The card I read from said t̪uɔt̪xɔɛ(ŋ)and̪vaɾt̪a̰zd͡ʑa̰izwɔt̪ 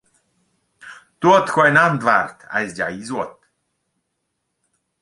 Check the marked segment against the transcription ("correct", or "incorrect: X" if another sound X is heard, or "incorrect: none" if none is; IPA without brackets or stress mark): incorrect: n